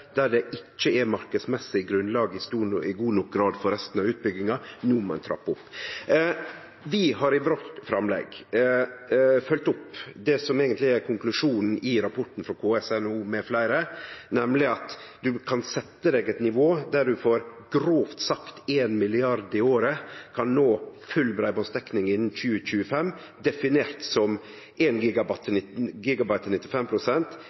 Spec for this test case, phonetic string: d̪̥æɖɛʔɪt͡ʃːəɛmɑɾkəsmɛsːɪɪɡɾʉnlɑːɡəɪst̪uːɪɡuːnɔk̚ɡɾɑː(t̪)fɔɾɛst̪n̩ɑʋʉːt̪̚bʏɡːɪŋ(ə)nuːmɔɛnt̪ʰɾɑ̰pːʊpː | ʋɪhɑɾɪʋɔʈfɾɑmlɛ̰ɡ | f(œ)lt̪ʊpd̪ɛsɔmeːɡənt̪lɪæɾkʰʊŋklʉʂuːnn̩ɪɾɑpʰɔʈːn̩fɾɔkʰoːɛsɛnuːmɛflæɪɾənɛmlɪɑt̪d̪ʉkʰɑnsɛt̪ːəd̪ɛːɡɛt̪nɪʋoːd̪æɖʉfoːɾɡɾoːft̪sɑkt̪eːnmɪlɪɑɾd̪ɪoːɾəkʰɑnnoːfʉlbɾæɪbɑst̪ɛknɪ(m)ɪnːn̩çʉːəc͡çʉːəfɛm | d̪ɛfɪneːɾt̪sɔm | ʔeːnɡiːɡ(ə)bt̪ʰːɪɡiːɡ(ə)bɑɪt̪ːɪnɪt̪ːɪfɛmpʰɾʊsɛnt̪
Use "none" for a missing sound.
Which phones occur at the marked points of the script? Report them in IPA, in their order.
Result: d̪, ɑ, œ, ŋ, ɑ, ɑ

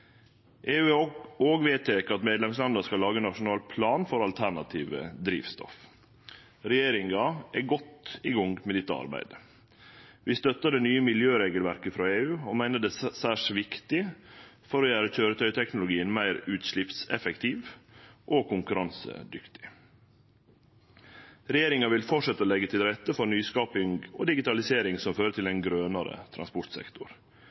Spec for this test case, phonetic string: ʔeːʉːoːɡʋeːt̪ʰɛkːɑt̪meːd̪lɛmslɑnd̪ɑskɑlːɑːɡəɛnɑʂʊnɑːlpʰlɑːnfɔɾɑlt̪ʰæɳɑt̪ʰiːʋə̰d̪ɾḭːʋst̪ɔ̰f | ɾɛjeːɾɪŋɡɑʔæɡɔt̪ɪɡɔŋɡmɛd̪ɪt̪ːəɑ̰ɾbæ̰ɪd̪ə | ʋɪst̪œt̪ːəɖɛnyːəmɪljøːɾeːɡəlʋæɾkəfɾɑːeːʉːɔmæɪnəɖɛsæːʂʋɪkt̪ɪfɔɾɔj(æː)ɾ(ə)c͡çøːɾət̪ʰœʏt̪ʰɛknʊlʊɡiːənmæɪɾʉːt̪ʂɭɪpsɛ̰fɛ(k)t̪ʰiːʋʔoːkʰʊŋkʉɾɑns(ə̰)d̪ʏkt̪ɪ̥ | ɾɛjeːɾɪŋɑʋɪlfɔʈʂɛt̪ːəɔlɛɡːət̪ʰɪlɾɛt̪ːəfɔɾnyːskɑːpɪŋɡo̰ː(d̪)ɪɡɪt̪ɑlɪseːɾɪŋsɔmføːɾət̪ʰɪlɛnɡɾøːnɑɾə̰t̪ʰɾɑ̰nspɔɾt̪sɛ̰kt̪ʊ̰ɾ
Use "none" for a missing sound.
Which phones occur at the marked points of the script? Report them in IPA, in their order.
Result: æː, ə, k, ə̰, d̪

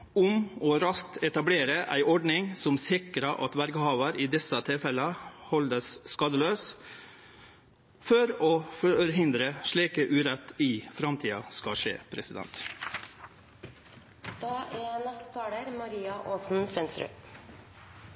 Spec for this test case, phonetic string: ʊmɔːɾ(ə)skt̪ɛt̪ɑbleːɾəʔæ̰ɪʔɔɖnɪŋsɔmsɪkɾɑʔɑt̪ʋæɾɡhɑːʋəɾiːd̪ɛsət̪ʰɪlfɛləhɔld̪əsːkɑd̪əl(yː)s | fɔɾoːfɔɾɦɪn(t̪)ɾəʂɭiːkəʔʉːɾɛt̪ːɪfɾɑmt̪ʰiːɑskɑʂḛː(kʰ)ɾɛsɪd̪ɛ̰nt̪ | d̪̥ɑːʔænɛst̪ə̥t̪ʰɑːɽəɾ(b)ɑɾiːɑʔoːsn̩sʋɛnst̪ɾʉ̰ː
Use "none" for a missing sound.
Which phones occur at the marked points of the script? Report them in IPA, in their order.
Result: ɑ, øː, d̪, pʰ, m

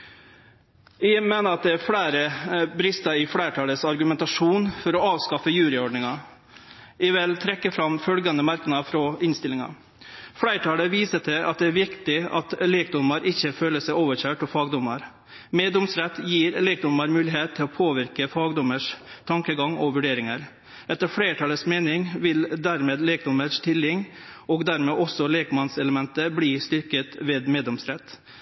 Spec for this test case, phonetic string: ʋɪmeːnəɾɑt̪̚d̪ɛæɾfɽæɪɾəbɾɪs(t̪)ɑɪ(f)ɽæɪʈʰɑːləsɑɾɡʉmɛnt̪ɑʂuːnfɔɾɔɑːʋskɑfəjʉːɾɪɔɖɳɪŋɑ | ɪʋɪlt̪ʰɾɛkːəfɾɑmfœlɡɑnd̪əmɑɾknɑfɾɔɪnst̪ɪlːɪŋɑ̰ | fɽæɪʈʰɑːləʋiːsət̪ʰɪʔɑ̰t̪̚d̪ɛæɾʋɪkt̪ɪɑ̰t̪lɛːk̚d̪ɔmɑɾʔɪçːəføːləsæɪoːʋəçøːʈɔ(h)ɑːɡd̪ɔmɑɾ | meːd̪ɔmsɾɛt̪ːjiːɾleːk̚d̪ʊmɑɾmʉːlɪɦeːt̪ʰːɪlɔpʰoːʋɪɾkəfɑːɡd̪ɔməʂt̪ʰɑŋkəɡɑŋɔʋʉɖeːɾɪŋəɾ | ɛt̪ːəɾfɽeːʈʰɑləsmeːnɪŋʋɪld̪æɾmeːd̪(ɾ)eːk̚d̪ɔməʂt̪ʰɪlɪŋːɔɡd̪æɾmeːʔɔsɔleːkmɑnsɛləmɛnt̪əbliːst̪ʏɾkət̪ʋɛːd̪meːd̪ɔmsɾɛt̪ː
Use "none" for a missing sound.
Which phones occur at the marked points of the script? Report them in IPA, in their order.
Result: t̪, f, f, l

